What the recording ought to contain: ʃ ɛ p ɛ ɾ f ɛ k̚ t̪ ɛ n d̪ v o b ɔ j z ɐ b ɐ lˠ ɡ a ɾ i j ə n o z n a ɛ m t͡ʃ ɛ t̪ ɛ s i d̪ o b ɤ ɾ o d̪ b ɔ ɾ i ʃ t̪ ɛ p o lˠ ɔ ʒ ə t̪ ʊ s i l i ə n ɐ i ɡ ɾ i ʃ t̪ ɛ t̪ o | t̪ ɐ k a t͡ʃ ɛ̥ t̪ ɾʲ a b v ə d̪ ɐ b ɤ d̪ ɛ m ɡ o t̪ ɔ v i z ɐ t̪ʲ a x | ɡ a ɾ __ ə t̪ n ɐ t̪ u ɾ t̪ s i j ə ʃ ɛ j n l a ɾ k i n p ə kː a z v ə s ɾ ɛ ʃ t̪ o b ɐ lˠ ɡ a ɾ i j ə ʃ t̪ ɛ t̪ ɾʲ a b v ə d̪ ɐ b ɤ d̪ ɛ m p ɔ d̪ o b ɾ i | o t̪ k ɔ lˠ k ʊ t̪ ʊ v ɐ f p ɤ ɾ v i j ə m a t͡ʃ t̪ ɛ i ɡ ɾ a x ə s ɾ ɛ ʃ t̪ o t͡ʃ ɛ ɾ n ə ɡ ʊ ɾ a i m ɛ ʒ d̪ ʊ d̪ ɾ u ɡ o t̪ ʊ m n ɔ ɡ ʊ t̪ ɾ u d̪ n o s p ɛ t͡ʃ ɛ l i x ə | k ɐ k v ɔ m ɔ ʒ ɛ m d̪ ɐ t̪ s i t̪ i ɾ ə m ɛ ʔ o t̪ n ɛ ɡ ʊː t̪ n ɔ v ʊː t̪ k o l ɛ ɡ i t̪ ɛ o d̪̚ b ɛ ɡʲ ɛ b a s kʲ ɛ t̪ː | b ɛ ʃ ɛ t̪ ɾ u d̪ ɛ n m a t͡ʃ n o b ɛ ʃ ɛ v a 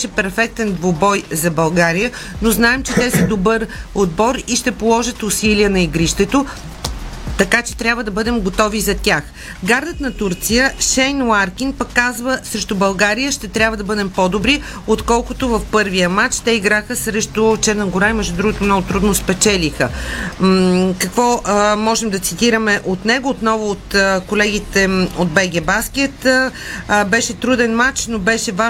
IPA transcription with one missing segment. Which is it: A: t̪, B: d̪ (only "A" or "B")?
B